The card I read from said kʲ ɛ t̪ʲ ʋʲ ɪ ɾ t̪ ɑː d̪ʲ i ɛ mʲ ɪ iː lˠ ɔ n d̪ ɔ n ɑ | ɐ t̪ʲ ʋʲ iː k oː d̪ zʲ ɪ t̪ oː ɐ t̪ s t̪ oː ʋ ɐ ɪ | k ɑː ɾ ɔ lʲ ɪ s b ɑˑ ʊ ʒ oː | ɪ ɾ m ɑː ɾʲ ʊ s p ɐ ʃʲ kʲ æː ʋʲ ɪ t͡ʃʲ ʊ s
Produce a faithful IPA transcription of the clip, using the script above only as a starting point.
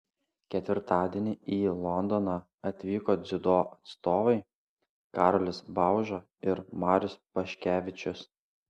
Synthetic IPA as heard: kʲ ɛ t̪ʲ ʋʲ ɪ ɾ t̪ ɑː d̪ʲ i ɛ nʲ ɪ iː lˠ ɔ n d̪ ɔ n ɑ | ɐ t̪ʲ ʋʲ iː k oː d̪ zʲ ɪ d̪ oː ɐ t̪ s t̪ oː ʋ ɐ ɪ | k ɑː ɾ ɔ lʲ ɪ s b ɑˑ ʊ ʒ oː | ɪ ɾ m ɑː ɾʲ ʊ s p ɐ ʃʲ kʲ æː ʋʲ ɪ t͡ʃʲ ʊ s